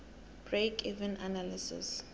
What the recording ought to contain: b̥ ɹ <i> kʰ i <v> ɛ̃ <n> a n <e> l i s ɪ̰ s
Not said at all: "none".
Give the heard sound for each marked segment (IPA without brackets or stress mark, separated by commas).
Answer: e, v, n, a